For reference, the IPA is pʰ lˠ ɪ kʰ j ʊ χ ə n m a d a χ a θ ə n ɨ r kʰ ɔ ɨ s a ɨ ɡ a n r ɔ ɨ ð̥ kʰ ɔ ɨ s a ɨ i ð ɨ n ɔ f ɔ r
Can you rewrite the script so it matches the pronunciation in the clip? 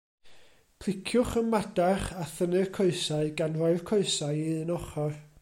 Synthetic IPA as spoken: pʰ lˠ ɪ kʰ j ʊ χ ə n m a d a χ a θ ə n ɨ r kʰ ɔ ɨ s a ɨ ɡ a n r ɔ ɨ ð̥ kʰ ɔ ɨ s a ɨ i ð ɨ n ɔ χ ɔ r